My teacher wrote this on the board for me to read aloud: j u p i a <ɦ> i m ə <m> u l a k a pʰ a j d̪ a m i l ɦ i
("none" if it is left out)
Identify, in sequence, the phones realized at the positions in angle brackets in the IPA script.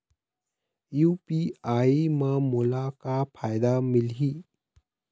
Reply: none, m

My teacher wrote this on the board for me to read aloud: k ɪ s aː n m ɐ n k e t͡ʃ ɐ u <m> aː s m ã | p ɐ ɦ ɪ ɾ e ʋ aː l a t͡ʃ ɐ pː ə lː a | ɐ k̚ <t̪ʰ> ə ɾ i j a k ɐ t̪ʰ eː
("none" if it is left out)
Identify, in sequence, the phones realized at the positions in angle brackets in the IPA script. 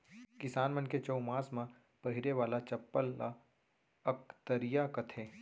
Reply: m, t̪

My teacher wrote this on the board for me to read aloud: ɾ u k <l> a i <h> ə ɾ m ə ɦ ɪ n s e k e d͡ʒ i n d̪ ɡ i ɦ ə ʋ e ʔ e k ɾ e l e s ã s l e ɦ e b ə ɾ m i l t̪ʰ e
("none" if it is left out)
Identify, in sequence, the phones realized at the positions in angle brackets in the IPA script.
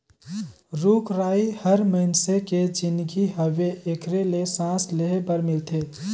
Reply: ɾ, h

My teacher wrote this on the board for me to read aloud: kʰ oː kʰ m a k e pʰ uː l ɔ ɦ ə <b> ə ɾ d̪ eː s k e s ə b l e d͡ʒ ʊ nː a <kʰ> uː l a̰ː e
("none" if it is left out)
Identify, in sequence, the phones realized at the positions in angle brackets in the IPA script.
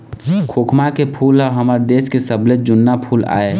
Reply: m, pʰ

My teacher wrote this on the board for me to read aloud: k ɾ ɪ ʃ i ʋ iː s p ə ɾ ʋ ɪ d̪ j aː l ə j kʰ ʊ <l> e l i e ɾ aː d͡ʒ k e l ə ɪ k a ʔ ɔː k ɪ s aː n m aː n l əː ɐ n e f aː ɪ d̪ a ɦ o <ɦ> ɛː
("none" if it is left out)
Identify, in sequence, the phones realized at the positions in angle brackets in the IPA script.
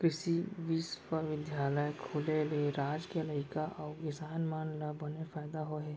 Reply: l, ɦ

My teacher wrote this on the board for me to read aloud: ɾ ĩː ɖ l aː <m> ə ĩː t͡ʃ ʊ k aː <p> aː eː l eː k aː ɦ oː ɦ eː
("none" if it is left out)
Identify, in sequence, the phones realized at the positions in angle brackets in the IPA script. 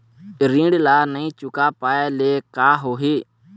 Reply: n, p

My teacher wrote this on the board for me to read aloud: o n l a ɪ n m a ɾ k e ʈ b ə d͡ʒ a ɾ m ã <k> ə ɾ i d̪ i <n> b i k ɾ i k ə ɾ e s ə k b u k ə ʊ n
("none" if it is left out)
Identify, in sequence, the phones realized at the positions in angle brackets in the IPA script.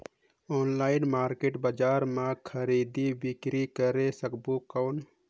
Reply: kʰ, none

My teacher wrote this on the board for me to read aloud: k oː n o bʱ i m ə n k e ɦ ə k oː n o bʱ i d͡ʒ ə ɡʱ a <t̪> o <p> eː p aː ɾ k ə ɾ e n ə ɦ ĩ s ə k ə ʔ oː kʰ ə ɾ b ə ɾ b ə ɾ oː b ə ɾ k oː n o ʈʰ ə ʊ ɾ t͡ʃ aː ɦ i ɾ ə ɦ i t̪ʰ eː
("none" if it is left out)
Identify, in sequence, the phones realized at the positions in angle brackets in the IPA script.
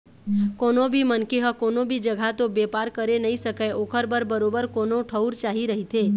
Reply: t̪, b

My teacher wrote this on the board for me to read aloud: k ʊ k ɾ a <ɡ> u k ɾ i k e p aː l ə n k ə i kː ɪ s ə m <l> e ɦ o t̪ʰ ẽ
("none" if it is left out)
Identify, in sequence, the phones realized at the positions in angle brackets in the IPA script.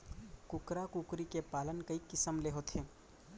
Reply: k, l

